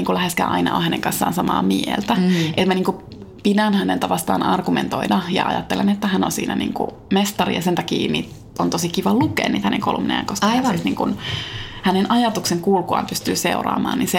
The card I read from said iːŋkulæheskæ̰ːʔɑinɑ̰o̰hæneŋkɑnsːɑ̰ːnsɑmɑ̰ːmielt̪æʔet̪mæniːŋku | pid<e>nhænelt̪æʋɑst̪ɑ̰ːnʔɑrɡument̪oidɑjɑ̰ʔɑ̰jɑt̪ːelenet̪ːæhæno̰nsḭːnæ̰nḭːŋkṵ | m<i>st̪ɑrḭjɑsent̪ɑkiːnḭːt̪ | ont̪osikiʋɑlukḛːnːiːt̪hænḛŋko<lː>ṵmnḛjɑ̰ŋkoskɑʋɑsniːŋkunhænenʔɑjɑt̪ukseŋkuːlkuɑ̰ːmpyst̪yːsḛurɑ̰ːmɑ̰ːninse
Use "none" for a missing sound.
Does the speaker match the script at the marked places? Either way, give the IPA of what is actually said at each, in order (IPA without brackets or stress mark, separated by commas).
æ, e, l